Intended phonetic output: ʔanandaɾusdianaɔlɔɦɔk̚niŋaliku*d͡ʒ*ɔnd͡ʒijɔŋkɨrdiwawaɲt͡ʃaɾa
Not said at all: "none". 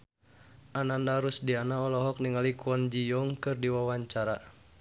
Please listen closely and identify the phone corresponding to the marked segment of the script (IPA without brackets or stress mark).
none